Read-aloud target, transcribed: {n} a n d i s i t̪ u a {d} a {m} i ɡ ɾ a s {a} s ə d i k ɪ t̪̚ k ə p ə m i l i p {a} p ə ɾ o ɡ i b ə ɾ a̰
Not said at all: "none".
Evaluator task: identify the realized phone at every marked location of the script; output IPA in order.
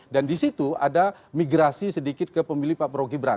d, d, m, i, a

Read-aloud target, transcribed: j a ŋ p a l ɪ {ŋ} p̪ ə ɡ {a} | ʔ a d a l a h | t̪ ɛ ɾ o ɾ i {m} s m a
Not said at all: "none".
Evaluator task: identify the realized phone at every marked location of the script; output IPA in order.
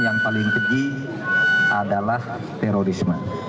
ŋ, i, none

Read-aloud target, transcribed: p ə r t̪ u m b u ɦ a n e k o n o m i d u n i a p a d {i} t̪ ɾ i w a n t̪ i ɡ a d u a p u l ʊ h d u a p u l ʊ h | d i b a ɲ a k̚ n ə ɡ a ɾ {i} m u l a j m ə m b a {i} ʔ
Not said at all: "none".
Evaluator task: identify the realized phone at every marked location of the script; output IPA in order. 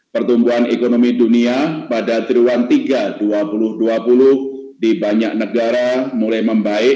a, a, ɪ

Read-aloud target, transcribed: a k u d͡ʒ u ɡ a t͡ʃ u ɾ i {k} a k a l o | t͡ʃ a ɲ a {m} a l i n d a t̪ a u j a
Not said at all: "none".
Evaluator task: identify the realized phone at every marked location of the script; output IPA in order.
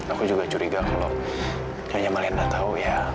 ɡ, m

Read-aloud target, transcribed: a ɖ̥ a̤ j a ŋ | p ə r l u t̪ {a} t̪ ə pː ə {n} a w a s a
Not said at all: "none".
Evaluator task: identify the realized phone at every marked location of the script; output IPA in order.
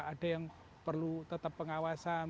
ə, ŋ

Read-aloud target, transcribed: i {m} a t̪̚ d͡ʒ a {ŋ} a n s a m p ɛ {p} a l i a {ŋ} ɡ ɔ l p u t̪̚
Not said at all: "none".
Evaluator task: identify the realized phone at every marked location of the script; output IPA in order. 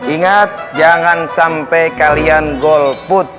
ŋ, ŋ, k, n

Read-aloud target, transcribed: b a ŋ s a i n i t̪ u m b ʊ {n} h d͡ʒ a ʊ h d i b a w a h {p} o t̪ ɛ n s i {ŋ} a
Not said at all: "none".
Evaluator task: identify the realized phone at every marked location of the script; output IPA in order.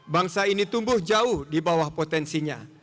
none, p, ɲ

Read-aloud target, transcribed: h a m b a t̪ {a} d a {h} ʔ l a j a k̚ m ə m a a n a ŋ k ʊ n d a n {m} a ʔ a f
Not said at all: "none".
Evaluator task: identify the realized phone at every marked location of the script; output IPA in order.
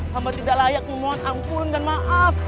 i, none, m

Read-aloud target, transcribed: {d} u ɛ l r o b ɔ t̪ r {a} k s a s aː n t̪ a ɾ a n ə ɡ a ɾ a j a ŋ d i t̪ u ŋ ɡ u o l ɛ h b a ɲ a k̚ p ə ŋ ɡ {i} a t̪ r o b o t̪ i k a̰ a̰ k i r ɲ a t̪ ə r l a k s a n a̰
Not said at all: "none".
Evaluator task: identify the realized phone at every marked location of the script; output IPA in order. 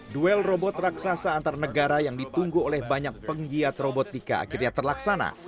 d, a, i

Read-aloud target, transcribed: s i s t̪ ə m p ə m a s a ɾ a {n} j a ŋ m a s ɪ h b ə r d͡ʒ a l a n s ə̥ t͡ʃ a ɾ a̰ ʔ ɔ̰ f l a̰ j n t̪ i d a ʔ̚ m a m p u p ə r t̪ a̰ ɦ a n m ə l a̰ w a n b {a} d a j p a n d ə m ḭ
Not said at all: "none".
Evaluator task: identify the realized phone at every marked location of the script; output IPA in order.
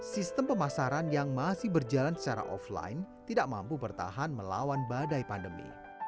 n, a

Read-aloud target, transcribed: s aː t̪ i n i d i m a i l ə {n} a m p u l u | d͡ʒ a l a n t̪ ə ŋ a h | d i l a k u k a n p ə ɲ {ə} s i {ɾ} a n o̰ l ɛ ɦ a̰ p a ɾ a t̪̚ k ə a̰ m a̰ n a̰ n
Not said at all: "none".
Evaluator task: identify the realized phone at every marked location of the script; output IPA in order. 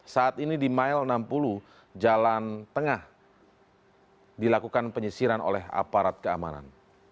n, ə, ɾ

